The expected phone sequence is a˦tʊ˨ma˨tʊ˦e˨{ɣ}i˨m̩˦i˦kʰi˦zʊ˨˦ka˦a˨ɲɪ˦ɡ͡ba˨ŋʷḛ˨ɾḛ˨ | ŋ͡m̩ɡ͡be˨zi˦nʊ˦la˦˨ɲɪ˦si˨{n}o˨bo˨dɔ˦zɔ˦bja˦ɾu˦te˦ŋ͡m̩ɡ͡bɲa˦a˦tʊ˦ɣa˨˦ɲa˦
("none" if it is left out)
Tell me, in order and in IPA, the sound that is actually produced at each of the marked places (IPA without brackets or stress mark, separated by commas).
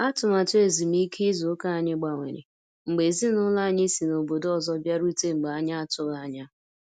z, n